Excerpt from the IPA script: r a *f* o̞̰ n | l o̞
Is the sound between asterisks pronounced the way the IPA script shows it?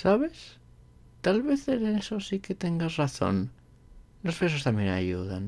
no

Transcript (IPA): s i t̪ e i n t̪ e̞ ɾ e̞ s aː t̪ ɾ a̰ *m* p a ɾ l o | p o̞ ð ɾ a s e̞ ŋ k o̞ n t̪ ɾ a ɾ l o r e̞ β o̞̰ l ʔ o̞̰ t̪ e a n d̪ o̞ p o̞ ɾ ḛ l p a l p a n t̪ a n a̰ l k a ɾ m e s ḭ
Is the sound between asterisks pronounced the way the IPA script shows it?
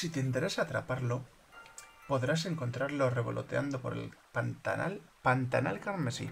no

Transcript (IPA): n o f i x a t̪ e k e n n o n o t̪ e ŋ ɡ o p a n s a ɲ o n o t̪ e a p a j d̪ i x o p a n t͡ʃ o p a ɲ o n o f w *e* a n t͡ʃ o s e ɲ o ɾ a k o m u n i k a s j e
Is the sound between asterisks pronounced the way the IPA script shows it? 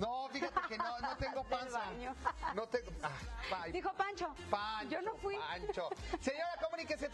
no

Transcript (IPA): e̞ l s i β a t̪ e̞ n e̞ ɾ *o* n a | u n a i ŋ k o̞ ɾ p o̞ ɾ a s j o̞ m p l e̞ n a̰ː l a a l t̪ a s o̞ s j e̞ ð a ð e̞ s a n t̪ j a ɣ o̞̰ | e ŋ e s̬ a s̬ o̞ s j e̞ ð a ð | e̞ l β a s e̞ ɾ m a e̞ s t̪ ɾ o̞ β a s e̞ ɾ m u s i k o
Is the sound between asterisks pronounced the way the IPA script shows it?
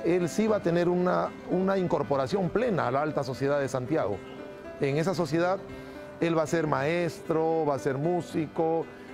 no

